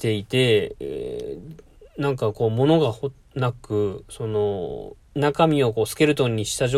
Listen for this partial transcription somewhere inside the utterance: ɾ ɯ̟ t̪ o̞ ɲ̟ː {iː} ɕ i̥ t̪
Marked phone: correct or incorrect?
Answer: incorrect